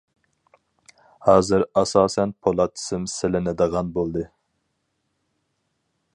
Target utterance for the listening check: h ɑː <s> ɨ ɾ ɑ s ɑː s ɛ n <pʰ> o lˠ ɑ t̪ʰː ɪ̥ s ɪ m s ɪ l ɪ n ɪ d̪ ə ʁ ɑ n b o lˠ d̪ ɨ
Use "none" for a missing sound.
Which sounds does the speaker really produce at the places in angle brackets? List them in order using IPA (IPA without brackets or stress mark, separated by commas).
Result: z, pʰ